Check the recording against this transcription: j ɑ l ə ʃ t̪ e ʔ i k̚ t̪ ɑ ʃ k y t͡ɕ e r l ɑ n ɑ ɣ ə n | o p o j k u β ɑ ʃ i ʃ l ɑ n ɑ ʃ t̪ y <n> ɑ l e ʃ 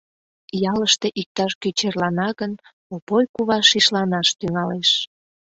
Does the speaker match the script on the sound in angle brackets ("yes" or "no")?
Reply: no